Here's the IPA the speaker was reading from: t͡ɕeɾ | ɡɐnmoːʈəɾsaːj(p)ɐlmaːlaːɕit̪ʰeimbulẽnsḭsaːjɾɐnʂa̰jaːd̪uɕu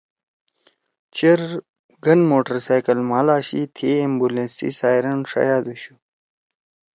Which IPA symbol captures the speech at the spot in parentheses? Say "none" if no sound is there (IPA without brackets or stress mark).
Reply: k